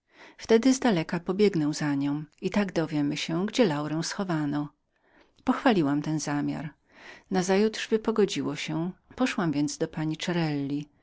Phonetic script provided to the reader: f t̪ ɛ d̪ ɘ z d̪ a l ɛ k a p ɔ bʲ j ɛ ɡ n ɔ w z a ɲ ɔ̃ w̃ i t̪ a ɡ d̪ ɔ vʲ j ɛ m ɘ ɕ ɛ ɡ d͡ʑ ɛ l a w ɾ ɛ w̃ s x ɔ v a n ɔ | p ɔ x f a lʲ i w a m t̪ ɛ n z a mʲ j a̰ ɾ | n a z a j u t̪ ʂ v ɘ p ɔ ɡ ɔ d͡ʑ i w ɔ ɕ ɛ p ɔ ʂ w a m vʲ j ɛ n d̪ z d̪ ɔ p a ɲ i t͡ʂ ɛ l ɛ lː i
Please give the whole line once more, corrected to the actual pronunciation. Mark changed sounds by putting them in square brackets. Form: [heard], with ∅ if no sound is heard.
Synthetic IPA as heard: f t̪ ɛ d̪ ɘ z d̪ a l ɛ k a p ɔ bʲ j ɛ ɡ n ɔ w z a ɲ ɔ̃ w̃ i t̪ a ɡ d̪ ɔ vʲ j ɛ m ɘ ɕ ɛ ɡ d͡ʑ ɛ l a w ɾ ɛ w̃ s x ɔ v a n ɔ | p ɔ x f a lʲ i w a m t̪ ɛ n z a mʲ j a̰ ɾ | n a z a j u t̪ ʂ v ɘ p ɔ ɡ ɔ d͡ʑ i w ɔ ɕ ɛ p ɔ ʂ w a m vʲ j ɛ n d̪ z d̪ ɔ p a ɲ i t͡ʂ ɛ [ɾ] ɛ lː i